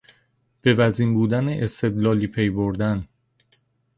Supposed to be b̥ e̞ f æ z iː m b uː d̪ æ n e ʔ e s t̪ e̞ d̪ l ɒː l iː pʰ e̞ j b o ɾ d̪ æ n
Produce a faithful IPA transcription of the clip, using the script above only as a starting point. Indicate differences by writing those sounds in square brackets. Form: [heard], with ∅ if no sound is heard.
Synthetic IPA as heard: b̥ e̞ [v] æ z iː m b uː d̪ æ n e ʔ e s t̪ e̞ d̪ l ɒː l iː pʰ e̞ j b o ɾ d̪ æ n